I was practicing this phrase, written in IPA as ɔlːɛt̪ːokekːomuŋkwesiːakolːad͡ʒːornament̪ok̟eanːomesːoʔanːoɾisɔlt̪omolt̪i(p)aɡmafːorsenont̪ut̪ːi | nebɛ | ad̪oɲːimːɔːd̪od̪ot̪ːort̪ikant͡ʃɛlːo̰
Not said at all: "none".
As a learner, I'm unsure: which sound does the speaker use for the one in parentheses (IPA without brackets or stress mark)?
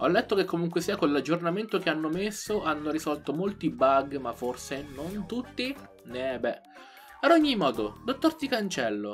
b